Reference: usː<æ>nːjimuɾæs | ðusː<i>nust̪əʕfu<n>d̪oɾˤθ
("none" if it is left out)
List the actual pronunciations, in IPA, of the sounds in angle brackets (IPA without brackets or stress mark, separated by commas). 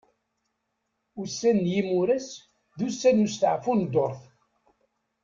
æ, æ, n